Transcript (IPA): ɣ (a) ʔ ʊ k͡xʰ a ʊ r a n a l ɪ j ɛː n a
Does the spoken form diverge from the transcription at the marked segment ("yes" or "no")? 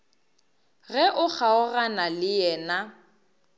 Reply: yes